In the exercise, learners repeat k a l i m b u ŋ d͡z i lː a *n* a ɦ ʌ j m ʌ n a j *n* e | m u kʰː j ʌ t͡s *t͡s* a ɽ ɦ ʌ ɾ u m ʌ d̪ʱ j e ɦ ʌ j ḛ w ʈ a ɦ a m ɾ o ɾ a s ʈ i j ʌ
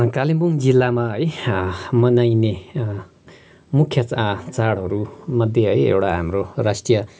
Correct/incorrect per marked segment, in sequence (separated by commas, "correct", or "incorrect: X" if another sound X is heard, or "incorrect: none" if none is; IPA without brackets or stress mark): incorrect: m, correct, correct